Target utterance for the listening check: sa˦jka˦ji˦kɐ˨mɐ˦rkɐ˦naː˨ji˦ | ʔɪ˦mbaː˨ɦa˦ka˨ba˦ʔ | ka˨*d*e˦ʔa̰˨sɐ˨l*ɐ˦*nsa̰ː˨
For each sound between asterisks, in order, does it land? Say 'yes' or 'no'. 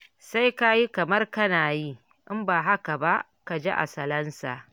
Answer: no, yes

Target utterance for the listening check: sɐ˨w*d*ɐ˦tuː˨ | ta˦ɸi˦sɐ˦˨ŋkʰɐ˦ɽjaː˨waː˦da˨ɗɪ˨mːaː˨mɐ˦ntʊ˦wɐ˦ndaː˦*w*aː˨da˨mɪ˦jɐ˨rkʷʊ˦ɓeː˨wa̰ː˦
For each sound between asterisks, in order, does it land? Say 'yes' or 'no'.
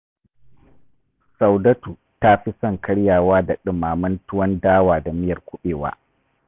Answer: yes, yes

